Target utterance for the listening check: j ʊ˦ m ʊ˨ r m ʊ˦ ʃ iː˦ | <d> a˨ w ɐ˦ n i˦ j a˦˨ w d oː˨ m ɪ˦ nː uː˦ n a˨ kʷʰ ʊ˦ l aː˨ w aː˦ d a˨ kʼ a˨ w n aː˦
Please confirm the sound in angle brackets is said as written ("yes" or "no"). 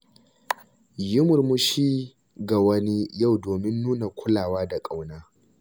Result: no